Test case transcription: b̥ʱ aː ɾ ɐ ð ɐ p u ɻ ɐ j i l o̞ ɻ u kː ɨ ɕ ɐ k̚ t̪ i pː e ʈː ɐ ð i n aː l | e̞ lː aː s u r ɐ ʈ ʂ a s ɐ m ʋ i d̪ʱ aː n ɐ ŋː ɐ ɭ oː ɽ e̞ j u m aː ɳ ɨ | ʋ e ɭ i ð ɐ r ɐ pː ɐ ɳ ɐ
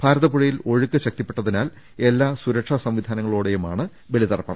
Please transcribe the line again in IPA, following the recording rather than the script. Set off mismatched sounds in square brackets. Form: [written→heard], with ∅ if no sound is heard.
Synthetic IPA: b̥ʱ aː ɾ ɐ ð ɐ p u ɻ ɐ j i l o̞ ɻ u kː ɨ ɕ ɐ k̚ t̪ i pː e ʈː ɐ ð i n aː l | e̞ lː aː s u [r→ɾ] ɐ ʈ ʂ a s ɐ m ʋ i d̪ʱ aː n ɐ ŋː ɐ ɭ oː ɽ e̞ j u m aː ɳ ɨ | ʋ e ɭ i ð ɐ r ɐ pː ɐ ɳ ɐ

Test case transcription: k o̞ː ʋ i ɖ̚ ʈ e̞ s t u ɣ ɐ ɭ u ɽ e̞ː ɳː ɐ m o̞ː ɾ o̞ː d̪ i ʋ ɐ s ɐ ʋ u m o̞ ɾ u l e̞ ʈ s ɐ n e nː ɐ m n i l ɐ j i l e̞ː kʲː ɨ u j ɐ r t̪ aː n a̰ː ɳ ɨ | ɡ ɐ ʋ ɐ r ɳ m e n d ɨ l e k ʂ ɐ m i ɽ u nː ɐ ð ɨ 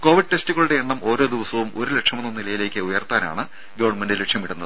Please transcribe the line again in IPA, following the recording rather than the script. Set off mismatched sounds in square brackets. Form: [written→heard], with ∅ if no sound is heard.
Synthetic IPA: k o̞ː ʋ i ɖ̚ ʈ e̞ s t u ɣ ɐ ɭ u ɽ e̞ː ɳː ɐ m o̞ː ɾ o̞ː d̪ i ʋ ɐ s ɐ ʋ u m o̞ ɾ u l e̞ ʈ [s→ʂ] ɐ [n→m] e nː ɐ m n i l ɐ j i l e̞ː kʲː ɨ u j ɐ r t̪ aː n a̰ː ɳ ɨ | ɡ ɐ ʋ ɐ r ɳ m e n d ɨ l e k ʂ ɐ m i ɽ u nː ɐ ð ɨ

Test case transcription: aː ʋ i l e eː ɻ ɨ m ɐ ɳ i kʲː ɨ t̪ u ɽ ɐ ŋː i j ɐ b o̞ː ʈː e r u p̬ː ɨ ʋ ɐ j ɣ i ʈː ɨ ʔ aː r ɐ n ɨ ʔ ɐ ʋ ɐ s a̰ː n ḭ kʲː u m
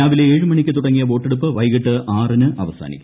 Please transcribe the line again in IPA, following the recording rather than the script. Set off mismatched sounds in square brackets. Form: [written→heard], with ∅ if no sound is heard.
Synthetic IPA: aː ʋ i l e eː ɻ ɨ m ɐ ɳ i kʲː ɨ t̪ u ɽ ɐ ŋː i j ɐ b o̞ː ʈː e [r→ɽ] u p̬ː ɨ ʋ ɐ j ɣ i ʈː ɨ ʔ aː r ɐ n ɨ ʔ ɐ ʋ ɐ s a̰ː n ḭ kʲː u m

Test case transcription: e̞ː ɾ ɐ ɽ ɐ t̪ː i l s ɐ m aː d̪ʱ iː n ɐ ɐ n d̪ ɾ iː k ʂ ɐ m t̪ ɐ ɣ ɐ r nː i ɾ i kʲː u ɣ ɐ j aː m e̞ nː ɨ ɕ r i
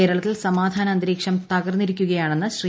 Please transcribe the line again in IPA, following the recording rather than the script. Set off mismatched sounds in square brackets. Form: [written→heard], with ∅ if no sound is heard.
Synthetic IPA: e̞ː ɾ ɐ [ɽ→ɭ] ɐ t̪ː i l s ɐ m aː d̪ʱ [iː→aː] n ɐ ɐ n d̪ ɾ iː k ʂ ɐ m t̪ ɐ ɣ ɐ r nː i ɾ i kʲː u ɣ ɐ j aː [m→ɳ] e̞ nː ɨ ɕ r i

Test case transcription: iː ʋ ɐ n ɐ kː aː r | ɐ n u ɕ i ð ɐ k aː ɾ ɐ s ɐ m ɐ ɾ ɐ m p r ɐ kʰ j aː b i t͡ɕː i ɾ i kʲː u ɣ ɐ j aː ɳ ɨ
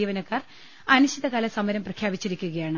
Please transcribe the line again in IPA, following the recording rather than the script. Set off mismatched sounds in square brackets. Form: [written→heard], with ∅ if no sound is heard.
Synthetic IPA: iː ʋ ɐ n ɐ kː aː r | ɐ n u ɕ i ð ɐ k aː [ɾ→l] ɐ s ɐ m ɐ ɾ ɐ m p r ɐ kʰ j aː b i t͡ɕː i ɾ i kʲː u ɣ ɐ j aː ɳ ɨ

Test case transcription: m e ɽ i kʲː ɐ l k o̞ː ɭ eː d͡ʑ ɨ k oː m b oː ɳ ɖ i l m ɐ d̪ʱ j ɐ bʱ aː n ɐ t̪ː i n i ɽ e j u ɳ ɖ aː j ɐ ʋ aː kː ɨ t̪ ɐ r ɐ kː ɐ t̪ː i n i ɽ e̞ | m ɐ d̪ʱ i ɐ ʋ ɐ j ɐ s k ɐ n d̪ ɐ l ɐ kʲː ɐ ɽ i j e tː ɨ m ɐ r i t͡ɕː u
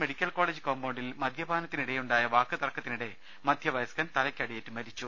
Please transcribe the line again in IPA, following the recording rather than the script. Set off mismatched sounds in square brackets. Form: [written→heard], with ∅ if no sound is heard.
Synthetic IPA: m e ɽ i kʲː ɐ l k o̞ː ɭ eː d͡ʑ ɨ k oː m b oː ɳ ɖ i l m ɐ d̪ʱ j ɐ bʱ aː n ɐ t̪ː i n i ɽ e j u ɳ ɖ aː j ɐ ʋ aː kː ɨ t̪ ɐ r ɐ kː ɐ t̪ː i n i ɽ e̞ | m ɐ d̪ʱ [i→j] ɐ ʋ ɐ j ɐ s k ɐ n [d̪→t̪] ɐ l ɐ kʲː ɐ ɽ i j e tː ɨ m ɐ [r→ɾ] i t͡ɕː u

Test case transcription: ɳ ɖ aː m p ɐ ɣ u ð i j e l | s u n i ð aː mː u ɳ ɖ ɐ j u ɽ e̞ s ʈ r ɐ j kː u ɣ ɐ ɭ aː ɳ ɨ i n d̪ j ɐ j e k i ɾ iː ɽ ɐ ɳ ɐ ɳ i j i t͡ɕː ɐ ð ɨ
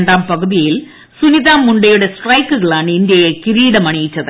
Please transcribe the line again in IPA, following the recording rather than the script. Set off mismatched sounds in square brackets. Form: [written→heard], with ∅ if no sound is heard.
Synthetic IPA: ɳ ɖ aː m p ɐ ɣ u ð i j [e→i] l | s u n i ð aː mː u ɳ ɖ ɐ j u ɽ e̞ s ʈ r ɐ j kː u ɣ ɐ ɭ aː ɳ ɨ i n d̪ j ɐ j e k i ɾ iː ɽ ɐ [ɳ→m] ɐ ɳ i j i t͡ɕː ɐ ð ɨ

